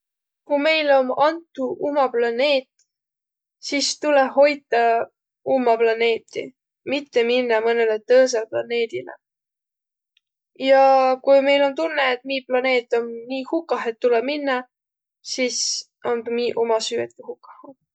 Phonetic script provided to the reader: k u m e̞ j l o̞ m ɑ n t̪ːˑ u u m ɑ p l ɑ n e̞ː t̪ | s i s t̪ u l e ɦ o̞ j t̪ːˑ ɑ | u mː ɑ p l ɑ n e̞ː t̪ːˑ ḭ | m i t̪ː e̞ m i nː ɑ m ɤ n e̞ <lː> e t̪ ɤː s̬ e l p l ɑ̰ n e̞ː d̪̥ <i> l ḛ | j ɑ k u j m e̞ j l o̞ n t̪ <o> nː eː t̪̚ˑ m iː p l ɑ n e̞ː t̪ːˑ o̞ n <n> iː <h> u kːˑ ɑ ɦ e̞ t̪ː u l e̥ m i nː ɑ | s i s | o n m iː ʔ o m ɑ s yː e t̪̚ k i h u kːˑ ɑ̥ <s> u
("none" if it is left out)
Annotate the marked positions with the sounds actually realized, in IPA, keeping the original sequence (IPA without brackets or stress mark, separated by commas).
l, i, u, n, h, h